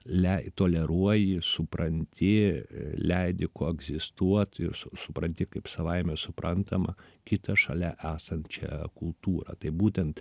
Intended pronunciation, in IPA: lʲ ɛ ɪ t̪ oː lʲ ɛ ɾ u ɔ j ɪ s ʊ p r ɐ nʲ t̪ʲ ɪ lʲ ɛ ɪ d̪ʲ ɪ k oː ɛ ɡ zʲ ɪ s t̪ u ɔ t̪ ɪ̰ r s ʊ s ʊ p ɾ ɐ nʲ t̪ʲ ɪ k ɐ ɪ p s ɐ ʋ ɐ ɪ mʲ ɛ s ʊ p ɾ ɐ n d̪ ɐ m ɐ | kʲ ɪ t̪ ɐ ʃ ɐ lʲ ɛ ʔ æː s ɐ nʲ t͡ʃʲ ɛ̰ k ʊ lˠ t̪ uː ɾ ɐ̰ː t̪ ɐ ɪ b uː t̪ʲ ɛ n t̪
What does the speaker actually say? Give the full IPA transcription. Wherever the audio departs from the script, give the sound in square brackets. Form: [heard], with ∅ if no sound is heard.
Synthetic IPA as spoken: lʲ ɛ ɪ t̪ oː lʲ ɛ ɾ u ɔ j ɪ s ʊ p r ɐ nʲ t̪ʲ ɪ lʲ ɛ ɪ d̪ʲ ɪ k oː ɛ ɡ zʲ ɪ s t̪ u ɔ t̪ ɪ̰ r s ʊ s ʊ p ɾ ɐ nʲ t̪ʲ ɪ k ɐ ɪ p s ɐ ʋ ɐ ɪ mʲ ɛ s ʊ p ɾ ɐ n [t̪] ɐ m ɐ | kʲ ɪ t̪ ɐ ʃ ɐ lʲ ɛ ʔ æː s ɐ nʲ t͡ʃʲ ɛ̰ k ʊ lˠ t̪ uː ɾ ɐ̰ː t̪ ɐ ɪ b uː t̪ʲ ɛ n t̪